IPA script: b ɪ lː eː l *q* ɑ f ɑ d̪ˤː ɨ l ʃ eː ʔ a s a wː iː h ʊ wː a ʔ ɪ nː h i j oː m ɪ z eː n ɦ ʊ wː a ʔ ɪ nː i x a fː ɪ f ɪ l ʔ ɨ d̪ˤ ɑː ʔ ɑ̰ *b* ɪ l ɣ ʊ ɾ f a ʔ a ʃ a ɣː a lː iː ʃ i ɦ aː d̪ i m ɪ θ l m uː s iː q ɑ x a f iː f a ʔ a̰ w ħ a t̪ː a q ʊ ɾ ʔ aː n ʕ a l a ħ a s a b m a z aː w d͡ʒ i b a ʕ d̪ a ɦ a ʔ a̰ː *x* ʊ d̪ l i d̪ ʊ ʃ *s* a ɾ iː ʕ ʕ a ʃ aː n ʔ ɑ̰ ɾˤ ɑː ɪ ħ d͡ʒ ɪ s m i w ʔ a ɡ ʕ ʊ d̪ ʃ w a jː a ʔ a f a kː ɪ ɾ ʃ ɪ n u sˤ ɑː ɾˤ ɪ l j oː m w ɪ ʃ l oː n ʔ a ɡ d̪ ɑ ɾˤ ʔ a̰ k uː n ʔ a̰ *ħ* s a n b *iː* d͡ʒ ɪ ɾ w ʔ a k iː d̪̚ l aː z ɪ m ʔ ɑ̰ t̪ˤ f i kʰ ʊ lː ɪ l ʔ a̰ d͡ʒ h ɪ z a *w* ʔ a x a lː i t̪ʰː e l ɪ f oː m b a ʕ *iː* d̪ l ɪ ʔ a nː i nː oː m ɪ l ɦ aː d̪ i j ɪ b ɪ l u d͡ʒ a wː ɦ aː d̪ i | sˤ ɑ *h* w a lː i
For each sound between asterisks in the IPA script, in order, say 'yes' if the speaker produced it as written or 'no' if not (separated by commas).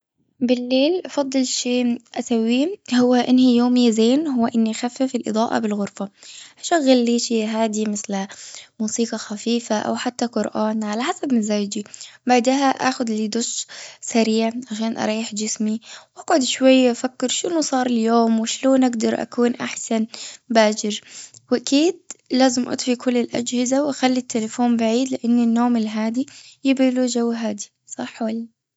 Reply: no, yes, yes, yes, yes, no, yes, yes, no